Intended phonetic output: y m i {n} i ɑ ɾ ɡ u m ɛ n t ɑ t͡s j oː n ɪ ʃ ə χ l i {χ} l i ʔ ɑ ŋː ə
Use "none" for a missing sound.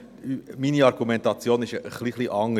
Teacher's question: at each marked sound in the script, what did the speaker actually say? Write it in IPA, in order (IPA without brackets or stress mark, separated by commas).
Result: n, χ